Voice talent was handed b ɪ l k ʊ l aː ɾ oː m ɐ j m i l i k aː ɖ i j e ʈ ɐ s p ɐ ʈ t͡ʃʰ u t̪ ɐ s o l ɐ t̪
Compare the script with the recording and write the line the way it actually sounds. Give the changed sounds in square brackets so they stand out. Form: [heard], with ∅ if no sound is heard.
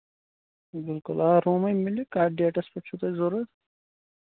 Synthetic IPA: b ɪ l k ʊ l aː ɾ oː m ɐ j m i l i k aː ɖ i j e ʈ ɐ s p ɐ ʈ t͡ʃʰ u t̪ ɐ [z] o [ɾ] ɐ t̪